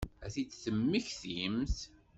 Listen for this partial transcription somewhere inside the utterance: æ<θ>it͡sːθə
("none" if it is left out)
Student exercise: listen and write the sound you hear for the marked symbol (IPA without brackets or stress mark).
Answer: θ